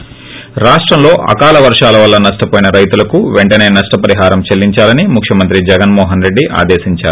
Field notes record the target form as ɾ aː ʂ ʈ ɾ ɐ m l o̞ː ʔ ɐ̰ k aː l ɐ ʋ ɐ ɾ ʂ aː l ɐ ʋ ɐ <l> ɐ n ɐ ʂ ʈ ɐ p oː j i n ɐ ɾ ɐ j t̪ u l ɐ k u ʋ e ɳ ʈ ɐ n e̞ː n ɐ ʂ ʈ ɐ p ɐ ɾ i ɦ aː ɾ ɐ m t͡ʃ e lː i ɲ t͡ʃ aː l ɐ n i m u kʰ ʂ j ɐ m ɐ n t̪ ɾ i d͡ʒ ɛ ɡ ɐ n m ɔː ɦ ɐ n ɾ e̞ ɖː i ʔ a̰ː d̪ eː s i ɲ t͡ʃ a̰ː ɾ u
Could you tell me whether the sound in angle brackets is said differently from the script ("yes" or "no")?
yes